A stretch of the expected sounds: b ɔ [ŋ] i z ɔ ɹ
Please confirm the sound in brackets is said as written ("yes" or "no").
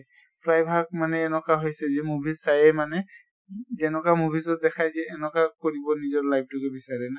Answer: no